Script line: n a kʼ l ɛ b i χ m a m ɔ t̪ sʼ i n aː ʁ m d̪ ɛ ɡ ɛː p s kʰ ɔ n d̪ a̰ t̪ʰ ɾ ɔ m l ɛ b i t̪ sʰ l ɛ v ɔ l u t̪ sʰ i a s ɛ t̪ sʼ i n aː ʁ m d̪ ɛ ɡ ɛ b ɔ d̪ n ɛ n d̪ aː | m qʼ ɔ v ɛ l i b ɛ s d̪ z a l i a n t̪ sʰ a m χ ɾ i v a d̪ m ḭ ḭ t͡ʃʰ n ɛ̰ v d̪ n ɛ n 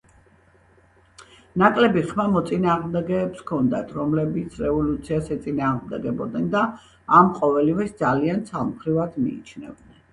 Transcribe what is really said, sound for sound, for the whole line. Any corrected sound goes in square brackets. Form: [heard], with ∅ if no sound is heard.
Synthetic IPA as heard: n a kʼ l ɛ b i χ m a m ɔ t̪ sʼ i n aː ʁ m d̪ ɛ ɡ ɛː p s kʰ ɔ n d̪ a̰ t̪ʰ ɾ ɔ m l ɛ b i t̪ sʰ [ɾ] ɛ v ɔ l u t̪ sʰ i a s ɛ t̪ sʼ i n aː ʁ m d̪ ɛ ɡ ɛ b ɔ d̪ n ɛ n d̪ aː | m qʼ ɔ v ɛ l i [v] ɛ s d̪ z a l i a n t̪ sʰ a m χ ɾ i v a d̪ m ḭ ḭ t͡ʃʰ n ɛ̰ v d̪ n ɛ n